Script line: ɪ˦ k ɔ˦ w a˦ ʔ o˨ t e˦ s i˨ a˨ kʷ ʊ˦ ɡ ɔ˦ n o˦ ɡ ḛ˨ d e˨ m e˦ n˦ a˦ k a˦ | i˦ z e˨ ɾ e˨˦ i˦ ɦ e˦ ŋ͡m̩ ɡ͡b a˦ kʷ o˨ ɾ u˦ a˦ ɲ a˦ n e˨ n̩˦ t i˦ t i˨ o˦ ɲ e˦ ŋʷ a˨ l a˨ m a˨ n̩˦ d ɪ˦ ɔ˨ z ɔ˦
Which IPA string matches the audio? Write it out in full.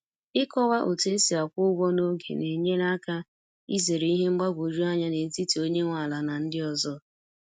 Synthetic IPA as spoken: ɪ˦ k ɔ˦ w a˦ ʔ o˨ t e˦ s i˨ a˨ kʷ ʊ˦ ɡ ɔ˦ n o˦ ɡ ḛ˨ n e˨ ɲ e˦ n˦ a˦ k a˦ | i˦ z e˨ ɾ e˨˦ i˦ ɦ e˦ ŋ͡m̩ ɡ͡b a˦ ɡʷ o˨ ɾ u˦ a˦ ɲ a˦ n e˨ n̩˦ t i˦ t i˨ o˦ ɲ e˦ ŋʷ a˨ l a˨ n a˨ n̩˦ d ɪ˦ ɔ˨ z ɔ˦